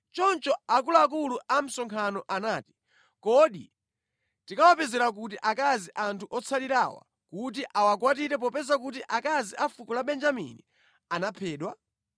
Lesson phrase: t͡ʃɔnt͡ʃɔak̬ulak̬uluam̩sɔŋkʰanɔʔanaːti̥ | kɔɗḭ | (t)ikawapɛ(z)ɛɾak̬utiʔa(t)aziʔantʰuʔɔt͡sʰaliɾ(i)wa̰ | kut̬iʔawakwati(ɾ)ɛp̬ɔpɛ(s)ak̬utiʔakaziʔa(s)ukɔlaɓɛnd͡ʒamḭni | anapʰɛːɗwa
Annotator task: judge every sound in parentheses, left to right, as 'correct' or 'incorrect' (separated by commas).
correct, correct, incorrect, incorrect, correct, incorrect, incorrect